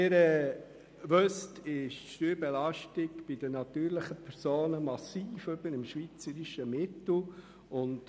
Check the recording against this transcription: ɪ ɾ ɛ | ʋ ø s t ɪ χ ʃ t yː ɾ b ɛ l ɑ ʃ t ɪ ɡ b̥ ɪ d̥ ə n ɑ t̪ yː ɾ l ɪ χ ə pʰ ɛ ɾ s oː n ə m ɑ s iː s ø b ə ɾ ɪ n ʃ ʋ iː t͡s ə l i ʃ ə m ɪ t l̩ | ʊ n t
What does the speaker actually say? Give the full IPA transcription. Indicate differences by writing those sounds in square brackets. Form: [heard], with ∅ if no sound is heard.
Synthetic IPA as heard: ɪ ɾ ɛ | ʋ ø s t ɪ [ʃ] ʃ t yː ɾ b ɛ l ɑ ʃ t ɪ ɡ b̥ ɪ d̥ ə n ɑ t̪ yː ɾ l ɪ χ ə pʰ ɛ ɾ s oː n ə m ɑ s iː [f] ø b ə ɾ ɪ [m] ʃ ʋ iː t͡s ə [ɾ] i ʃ ə m ɪ t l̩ | ʊ n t

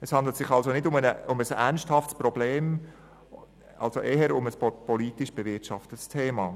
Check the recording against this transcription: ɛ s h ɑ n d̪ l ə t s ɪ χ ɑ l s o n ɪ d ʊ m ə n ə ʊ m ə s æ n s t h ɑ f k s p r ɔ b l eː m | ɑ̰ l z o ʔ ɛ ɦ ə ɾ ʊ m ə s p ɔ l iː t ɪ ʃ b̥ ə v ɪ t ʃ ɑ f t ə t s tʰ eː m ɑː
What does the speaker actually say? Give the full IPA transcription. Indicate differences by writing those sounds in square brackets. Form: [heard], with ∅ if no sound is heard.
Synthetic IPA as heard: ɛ s h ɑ n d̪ l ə t s ɪ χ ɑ l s o n ɪ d ʊ m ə n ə ʊ m ə s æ n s t h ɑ f [t] s p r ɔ b l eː m | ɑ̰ l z o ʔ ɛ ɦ ə ɾ ʊ m ə s p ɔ l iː t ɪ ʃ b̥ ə v ɪ t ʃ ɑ f t ə t s tʰ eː m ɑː

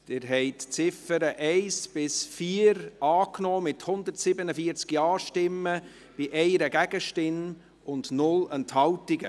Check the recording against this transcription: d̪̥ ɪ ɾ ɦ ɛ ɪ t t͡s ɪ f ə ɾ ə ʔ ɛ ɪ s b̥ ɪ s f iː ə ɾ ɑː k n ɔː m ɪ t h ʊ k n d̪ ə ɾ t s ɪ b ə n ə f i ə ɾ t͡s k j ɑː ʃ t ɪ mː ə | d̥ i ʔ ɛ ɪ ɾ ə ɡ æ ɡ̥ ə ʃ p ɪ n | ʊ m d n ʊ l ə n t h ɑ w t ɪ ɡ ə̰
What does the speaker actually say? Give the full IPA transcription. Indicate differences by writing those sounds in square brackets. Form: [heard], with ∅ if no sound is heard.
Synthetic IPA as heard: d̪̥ ɪ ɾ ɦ ɛ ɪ t t͡s ɪ f ə ɾ ə ʔ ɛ ɪ s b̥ ɪ s f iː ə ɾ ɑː k n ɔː m ɪ t h ʊ [∅] n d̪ ə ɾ t s ɪ b ə n ə f i ə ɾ t͡s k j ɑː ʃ t ɪ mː ə | [b̥] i ʔ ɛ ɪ ɾ ə ɡ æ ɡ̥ ə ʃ [t] ɪ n | ʊ [n] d n ʊ l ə n t h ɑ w t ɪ ɡ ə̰

